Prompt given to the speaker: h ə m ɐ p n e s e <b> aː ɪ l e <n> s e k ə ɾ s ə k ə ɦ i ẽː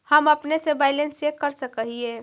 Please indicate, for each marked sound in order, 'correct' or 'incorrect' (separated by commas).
correct, correct